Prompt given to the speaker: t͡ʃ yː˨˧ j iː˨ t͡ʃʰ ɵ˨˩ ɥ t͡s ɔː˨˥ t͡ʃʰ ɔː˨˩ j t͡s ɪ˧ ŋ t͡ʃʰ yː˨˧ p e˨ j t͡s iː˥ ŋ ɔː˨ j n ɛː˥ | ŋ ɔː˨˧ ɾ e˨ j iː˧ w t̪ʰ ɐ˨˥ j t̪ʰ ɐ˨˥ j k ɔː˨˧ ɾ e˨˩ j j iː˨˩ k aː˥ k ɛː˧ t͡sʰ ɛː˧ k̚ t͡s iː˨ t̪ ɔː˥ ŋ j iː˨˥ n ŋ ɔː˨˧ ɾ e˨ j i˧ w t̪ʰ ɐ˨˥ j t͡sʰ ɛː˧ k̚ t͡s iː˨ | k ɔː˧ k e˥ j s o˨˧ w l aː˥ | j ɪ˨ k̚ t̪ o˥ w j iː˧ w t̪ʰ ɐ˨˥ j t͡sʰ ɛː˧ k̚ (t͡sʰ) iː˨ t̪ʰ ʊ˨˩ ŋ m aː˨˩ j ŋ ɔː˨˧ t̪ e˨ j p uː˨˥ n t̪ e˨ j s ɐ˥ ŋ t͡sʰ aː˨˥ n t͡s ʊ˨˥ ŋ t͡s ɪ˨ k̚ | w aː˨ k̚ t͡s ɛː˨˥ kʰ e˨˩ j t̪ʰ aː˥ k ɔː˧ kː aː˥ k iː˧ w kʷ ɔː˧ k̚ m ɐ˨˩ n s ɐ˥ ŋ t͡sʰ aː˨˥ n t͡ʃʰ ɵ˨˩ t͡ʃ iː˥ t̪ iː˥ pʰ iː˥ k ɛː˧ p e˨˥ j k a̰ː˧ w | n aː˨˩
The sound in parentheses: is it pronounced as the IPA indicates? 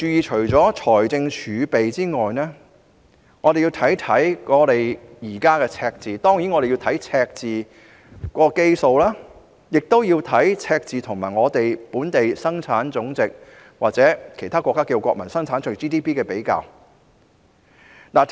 no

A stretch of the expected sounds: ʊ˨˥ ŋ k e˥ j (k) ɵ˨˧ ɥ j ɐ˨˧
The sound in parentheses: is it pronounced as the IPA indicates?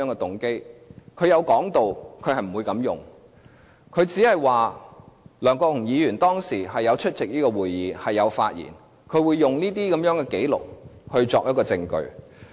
no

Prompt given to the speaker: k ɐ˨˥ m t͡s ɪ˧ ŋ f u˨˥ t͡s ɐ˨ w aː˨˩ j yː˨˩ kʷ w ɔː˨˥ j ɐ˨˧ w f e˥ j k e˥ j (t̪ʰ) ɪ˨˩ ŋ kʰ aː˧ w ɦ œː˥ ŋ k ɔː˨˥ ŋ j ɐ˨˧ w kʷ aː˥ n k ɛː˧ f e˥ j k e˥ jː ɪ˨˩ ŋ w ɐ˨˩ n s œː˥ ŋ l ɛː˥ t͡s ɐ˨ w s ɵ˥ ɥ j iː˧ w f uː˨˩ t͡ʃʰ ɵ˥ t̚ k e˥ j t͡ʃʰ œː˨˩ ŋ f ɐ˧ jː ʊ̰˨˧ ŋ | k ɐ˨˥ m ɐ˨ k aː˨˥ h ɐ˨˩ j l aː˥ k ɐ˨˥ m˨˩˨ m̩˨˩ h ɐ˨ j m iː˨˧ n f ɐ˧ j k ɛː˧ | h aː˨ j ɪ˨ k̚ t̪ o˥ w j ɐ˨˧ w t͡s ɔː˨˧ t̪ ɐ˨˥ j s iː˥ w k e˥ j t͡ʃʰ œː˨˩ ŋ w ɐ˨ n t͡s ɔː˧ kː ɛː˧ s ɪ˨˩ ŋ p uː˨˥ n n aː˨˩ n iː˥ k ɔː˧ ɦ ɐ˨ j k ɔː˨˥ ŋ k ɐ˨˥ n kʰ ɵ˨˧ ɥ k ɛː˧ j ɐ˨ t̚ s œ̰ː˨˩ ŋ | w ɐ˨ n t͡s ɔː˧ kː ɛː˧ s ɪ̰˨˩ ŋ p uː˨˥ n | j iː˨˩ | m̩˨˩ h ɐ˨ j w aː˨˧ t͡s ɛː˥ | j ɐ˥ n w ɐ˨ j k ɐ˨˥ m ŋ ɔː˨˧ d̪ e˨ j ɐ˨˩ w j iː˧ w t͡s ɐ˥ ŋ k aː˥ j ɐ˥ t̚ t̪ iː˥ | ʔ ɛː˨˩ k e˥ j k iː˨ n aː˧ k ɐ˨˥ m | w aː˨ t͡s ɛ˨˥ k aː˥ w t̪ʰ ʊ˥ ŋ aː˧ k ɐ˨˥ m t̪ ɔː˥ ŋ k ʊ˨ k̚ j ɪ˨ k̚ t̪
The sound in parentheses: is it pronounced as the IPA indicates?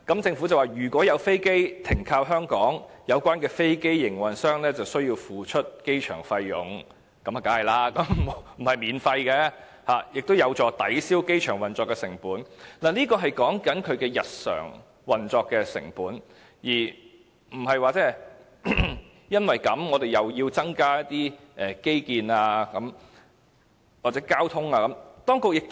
yes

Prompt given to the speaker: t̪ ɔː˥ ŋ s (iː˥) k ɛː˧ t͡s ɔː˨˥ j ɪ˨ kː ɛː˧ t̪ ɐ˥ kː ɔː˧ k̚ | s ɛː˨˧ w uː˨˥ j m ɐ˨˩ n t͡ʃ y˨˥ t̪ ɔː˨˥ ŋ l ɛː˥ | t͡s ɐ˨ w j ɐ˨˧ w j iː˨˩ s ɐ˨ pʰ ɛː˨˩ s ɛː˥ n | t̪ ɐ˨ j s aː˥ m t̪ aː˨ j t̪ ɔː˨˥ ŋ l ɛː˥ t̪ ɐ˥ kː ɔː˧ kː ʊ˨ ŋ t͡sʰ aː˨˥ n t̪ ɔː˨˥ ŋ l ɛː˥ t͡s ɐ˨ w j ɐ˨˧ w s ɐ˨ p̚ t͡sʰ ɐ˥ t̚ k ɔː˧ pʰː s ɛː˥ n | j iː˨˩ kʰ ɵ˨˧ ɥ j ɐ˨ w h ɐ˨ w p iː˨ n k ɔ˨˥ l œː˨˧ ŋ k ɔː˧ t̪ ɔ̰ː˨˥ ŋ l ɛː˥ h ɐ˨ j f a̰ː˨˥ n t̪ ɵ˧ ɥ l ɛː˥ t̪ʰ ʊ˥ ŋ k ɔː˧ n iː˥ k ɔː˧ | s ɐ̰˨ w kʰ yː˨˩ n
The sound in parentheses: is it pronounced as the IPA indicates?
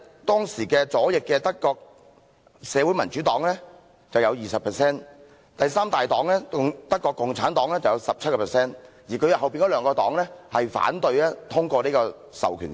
no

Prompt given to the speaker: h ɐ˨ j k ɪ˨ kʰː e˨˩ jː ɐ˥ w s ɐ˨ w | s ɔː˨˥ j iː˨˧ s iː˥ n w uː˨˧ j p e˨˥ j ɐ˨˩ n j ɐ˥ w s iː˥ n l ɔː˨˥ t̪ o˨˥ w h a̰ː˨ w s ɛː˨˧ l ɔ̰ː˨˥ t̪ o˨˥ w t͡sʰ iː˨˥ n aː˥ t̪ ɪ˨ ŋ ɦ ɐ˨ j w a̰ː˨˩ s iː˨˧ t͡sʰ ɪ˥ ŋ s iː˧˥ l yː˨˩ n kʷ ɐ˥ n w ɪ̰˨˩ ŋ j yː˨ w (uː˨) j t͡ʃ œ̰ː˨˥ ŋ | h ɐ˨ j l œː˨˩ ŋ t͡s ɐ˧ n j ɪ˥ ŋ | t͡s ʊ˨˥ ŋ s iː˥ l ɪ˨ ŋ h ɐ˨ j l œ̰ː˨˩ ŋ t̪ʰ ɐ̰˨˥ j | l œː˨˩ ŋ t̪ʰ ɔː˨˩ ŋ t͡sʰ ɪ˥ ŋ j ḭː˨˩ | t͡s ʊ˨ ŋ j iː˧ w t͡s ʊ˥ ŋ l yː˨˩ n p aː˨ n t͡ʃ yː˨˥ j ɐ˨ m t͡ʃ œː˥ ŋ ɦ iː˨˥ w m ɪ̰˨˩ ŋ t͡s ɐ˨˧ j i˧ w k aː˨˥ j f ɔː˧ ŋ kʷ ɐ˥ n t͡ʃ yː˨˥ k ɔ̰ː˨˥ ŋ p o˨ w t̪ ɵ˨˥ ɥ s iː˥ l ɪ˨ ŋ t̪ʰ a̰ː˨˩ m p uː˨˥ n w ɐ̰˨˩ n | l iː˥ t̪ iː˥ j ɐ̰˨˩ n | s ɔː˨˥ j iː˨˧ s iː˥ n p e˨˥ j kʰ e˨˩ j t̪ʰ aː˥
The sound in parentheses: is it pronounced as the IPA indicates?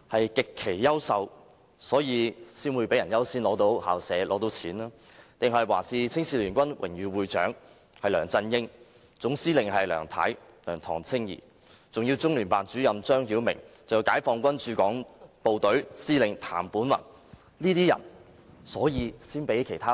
yes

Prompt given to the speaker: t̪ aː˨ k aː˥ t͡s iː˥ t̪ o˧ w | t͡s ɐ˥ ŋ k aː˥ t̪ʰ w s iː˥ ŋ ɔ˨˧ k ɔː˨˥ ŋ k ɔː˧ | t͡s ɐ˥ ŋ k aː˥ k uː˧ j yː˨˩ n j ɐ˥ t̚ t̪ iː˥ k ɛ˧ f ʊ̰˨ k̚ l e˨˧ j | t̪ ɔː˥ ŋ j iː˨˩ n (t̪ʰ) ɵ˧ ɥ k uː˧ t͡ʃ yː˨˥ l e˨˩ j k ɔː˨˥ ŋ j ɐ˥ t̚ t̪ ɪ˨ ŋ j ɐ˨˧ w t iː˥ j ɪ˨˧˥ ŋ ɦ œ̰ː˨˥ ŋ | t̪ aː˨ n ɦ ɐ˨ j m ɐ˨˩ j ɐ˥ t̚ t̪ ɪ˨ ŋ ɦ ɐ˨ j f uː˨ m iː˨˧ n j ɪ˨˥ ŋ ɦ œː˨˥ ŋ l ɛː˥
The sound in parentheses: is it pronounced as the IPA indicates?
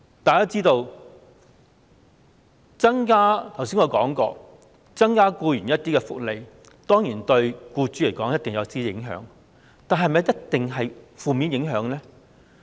no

